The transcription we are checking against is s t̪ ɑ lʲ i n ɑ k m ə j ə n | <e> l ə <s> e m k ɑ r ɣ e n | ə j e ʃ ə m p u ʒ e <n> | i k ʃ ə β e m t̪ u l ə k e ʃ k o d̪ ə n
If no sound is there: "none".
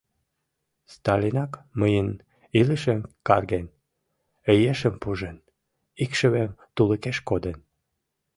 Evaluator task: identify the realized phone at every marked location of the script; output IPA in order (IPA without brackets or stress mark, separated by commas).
i, ʃ, n